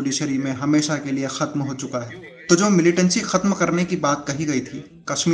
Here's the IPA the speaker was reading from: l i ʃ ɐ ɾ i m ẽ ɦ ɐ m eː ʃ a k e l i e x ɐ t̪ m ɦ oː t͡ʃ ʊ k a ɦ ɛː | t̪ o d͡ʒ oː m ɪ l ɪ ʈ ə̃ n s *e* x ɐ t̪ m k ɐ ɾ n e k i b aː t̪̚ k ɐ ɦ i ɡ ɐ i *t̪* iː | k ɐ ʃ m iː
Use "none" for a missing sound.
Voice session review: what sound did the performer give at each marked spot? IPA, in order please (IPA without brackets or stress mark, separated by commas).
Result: i, t̪ʰ